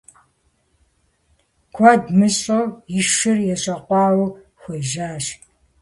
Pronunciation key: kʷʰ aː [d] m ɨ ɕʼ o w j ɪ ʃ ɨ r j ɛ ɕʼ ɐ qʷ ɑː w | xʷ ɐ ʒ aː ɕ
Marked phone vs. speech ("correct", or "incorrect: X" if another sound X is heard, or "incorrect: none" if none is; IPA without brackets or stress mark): correct